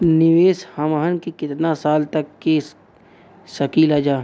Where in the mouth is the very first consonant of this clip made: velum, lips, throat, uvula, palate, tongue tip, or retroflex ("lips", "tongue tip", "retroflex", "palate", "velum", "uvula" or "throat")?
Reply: tongue tip